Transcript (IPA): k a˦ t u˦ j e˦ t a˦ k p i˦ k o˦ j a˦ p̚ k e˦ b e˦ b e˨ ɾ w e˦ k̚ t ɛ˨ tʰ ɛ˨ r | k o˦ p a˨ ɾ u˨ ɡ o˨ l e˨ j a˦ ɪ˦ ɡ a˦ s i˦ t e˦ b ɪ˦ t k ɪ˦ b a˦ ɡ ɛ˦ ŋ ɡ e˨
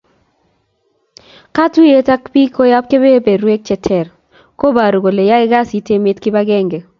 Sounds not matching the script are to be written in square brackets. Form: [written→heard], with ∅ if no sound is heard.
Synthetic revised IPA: k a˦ t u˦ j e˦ t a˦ k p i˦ k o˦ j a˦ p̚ k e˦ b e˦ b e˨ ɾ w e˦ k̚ [t→t͡ʃ] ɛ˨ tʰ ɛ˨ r | k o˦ [p→b] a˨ ɾ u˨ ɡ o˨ l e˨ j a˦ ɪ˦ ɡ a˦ s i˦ t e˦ [b→m] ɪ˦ t k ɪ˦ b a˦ ɡ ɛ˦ ŋ ɡ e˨